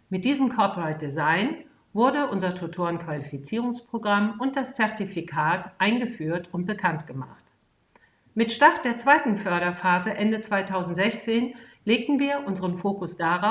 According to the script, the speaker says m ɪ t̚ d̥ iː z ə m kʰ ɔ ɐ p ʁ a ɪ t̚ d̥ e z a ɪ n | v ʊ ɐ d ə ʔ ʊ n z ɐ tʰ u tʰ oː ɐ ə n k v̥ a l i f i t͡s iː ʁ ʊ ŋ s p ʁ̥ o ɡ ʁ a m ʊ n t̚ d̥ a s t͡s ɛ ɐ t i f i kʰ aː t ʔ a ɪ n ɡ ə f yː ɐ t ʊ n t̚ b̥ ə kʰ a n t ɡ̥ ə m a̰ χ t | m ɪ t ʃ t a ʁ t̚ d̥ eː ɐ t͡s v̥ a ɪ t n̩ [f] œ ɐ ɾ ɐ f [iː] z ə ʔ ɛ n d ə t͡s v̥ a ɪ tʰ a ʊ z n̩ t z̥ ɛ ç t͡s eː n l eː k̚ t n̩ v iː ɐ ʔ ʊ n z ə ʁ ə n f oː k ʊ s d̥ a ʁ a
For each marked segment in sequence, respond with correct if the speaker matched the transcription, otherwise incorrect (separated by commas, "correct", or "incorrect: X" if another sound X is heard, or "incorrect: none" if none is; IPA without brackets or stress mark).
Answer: correct, incorrect: aː